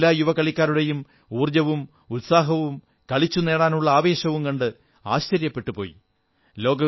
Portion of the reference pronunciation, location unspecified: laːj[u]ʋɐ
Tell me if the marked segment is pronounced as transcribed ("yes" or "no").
yes